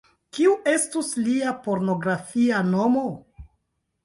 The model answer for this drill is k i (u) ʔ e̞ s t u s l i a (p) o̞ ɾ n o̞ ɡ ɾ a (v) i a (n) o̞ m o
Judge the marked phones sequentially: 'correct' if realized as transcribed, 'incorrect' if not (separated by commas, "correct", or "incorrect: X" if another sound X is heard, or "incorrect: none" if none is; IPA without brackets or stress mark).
correct, correct, incorrect: f, correct